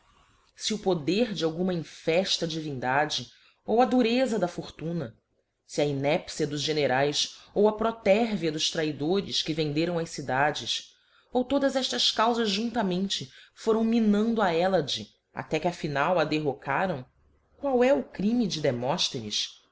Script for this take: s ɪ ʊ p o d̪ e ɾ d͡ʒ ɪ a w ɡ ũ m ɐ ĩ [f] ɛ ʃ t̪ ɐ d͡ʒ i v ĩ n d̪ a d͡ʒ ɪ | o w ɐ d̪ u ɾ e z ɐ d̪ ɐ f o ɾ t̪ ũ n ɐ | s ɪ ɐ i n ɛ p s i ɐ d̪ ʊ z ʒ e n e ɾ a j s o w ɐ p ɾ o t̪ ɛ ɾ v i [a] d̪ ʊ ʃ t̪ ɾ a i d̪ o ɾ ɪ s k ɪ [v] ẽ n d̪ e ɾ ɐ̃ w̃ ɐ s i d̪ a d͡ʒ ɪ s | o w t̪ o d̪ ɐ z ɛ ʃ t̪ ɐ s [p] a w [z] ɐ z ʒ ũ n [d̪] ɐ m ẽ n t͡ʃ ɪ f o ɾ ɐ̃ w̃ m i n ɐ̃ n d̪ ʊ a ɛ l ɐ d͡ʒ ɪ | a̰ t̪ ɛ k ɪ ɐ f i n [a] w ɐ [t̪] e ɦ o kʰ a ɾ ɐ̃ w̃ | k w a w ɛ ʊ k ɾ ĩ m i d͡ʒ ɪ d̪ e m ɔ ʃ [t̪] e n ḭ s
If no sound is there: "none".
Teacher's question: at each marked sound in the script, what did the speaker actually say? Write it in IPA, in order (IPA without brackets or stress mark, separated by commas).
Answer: f, ɐ, v, k, z, t̪, a, d̪, t̪